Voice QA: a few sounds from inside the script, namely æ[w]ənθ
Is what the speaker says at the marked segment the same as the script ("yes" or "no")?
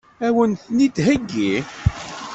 yes